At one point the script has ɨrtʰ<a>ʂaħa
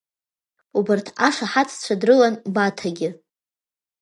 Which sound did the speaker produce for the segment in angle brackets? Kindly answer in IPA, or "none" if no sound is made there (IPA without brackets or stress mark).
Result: a